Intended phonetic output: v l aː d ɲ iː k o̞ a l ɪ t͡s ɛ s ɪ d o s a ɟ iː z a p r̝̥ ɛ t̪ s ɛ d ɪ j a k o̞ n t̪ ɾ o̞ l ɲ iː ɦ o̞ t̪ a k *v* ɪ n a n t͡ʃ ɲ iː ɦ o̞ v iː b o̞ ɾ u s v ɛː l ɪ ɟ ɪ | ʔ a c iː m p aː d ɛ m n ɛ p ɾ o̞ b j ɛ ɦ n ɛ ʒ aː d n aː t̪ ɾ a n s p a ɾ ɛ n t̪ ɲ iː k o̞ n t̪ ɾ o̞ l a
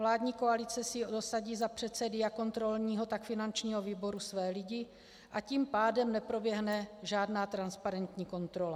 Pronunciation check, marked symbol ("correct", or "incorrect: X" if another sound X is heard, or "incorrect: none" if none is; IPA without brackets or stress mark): incorrect: f